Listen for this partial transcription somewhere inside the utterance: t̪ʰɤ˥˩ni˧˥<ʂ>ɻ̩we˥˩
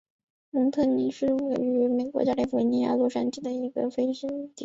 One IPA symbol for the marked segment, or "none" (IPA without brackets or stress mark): ʂ